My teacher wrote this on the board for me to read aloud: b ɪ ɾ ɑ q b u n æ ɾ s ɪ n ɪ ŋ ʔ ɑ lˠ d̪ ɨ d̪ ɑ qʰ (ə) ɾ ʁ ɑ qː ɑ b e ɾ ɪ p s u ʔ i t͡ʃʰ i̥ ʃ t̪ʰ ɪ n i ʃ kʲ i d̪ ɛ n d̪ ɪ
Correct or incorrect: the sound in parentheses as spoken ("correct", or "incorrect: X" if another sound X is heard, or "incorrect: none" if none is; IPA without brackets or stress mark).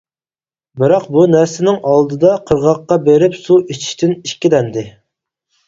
correct